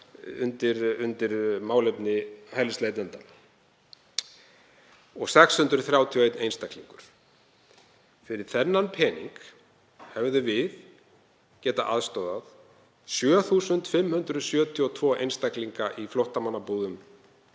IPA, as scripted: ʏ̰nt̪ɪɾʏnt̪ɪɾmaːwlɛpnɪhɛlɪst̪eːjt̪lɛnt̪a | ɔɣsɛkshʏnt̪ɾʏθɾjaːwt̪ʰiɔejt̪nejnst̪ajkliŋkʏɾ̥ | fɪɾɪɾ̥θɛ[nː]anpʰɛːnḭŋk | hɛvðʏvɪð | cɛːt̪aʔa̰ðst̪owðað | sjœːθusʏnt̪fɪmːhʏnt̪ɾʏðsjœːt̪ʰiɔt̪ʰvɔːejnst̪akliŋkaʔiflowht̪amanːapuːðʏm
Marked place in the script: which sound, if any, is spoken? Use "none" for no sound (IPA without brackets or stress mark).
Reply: nː